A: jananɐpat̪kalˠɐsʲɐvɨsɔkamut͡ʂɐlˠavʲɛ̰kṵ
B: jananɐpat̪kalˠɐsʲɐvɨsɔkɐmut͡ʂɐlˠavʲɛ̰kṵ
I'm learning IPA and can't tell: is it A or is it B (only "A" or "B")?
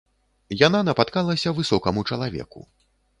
B